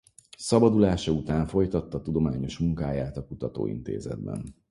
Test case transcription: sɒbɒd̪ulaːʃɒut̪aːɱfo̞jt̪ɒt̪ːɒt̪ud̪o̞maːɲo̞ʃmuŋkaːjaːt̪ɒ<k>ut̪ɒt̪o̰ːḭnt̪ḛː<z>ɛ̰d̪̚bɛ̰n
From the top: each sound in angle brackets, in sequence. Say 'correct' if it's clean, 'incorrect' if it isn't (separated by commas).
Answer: correct, correct